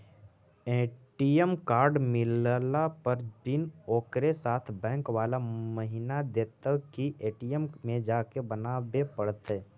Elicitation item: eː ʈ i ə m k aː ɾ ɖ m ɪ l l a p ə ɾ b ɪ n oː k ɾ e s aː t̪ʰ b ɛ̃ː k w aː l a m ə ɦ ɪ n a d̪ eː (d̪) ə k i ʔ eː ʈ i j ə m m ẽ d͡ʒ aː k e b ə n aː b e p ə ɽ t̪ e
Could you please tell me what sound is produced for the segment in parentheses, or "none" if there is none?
t̪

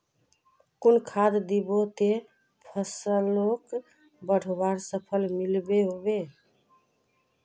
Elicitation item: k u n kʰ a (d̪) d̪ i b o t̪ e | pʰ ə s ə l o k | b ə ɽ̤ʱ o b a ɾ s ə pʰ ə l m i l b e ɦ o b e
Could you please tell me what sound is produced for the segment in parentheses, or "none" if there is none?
d̪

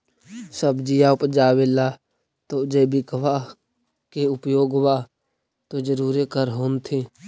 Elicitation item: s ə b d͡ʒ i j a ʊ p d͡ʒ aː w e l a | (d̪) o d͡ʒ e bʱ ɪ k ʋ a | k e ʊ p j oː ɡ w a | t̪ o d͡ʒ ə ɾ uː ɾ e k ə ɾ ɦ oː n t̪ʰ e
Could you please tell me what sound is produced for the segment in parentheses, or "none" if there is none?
t̪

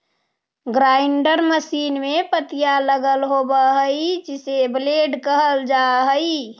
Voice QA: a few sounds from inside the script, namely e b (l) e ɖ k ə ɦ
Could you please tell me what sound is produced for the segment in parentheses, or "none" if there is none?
l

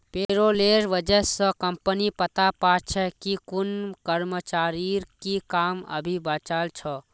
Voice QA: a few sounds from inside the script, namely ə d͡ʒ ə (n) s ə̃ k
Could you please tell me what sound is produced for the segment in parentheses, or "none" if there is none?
none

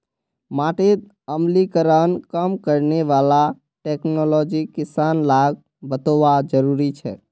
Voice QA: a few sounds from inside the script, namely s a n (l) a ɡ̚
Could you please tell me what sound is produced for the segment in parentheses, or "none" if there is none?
l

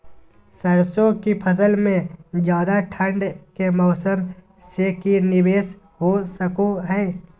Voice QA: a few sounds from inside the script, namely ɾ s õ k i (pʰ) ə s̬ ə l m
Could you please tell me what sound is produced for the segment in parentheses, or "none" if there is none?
pʰ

